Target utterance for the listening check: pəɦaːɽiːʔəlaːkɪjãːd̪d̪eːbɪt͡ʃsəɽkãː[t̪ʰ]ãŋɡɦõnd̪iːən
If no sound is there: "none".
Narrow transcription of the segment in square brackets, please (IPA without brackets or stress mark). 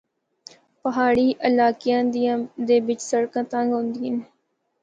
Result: t̪